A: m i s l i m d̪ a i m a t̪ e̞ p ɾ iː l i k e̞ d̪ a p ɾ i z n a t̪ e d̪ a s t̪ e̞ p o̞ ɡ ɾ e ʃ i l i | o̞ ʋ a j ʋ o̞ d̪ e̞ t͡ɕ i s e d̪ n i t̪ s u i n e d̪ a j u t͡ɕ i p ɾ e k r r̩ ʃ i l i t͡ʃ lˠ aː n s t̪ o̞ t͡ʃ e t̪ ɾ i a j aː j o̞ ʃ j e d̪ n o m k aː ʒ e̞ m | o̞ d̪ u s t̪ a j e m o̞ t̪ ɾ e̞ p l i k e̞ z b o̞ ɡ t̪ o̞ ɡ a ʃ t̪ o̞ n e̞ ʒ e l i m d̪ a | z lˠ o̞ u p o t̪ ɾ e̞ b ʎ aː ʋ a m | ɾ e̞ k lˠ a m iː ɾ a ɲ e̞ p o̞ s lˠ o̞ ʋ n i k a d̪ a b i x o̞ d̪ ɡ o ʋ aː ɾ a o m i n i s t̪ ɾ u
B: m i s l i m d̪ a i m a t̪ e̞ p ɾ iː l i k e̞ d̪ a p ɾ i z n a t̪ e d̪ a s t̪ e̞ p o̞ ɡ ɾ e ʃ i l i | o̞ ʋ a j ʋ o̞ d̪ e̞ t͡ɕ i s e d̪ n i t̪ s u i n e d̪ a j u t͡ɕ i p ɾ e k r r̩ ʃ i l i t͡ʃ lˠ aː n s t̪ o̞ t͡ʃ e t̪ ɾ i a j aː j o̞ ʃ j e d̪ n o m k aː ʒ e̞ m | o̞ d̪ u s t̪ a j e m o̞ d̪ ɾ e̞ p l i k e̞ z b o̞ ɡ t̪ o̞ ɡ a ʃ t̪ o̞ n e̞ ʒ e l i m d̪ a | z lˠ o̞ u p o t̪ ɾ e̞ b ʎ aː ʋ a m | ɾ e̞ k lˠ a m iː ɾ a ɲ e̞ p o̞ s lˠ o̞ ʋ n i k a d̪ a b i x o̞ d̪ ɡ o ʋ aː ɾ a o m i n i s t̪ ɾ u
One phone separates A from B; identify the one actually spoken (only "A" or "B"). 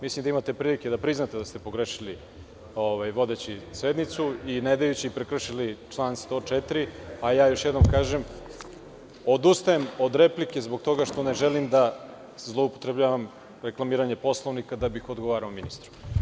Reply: B